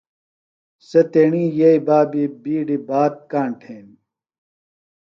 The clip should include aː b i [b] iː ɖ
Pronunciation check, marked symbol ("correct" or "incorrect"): correct